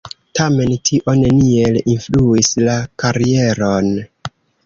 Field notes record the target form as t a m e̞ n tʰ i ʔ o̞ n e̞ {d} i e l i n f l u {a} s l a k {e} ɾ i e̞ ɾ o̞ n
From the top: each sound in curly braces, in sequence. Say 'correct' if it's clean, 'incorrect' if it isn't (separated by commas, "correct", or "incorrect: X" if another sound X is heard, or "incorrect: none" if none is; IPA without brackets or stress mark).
incorrect: n, incorrect: i, incorrect: a